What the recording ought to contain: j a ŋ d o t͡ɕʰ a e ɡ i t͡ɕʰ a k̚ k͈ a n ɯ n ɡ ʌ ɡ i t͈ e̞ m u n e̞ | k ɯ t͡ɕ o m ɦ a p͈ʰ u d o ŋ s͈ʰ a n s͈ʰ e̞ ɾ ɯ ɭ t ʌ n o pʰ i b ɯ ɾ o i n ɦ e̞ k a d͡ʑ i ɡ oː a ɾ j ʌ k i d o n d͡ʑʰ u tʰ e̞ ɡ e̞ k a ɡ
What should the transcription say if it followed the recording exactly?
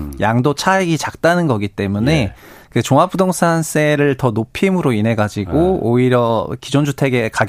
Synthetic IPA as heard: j a ŋ d o t͡ɕʰ a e ɡ i t͡ɕ a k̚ t͈ a n ɯ n ɡ ʌ ɡ i t͈ e̞ m u n e̞ | k ɯ t͡ɕ o ŋ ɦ a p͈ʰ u d o ŋ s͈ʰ a n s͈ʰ e̞ ɾ ɯ ɭ t ʌ n o pʰ i m ɯ ɾ o i n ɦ e̞ ɡ a d͡ʑ i ɡ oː i ɾ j ʌ k i d͡ʑ o n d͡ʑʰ u tʰ e̞ ɡ e̞ k a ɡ